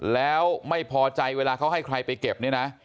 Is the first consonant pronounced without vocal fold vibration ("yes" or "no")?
no